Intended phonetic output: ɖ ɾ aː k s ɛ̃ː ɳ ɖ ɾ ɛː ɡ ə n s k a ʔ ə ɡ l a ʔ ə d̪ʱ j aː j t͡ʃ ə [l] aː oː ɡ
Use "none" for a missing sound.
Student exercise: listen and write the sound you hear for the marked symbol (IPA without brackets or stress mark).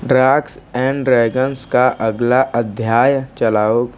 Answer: l